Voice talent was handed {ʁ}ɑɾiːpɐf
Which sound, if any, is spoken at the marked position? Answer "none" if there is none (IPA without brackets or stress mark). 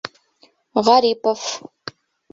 ʁ